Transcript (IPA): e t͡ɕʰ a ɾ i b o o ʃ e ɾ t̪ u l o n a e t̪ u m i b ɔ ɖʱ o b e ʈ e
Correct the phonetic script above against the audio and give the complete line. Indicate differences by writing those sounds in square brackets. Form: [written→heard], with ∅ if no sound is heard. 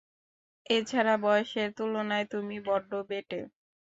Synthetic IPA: e t͡ɕʰ a ɾ [i→a] b [o→ɔ] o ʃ e ɾ t̪ u l o n a e t̪ u m i b ɔ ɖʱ o b e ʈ e